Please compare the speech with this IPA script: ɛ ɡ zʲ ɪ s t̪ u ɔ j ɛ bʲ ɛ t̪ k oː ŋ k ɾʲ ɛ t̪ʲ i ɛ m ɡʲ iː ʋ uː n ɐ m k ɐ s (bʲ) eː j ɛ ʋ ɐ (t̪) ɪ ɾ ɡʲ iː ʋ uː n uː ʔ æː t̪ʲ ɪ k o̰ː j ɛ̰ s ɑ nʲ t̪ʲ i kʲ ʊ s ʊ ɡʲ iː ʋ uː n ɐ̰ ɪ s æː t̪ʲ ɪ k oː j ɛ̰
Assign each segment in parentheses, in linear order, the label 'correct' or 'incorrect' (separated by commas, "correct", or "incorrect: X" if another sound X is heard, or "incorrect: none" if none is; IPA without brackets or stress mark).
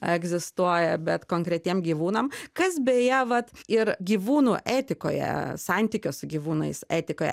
correct, correct